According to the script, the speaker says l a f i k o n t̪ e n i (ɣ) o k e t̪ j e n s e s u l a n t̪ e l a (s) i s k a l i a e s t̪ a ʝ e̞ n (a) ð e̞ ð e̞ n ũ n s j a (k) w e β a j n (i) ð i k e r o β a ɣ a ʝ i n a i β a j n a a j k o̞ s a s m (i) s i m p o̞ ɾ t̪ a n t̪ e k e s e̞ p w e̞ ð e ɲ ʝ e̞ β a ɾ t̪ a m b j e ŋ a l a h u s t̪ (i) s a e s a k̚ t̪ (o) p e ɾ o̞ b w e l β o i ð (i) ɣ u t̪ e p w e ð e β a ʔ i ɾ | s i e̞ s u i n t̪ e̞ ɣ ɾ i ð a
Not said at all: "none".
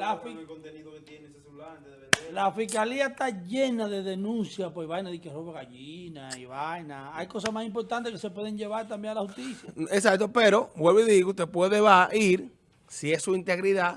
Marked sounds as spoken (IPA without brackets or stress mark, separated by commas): ð, f, a, p, a, a, i, o, i